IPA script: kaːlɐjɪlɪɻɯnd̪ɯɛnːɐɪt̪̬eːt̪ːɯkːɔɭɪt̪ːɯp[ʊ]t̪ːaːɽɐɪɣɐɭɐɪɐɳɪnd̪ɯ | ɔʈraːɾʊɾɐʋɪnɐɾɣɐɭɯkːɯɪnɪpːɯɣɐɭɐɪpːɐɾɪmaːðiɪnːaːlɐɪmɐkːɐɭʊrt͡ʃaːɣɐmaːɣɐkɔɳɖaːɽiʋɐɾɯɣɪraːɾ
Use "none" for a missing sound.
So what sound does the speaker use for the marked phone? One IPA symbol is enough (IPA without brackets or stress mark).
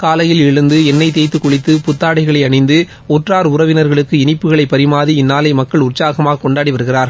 ʊ